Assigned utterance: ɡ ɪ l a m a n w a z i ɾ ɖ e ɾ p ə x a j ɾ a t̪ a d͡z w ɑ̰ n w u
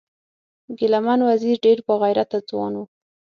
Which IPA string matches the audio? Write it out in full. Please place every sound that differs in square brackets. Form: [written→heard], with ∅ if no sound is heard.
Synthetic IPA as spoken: ɡ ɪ l a m a n w a z i ɾ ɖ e ɾ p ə [x→ɣ] a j ɾ a t̪ a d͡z w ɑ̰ n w u